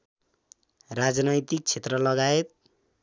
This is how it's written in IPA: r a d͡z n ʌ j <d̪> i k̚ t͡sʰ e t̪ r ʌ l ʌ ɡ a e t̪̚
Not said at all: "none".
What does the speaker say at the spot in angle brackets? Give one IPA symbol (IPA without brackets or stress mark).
t̪